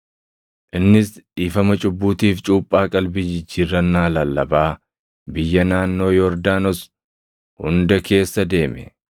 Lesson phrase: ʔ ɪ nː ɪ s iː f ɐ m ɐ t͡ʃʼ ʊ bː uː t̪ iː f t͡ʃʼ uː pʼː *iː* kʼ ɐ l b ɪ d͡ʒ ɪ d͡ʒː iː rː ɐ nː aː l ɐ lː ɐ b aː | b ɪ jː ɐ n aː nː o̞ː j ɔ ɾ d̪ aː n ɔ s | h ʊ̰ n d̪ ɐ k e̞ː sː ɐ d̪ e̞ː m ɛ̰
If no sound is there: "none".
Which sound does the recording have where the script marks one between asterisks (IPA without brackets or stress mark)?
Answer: aː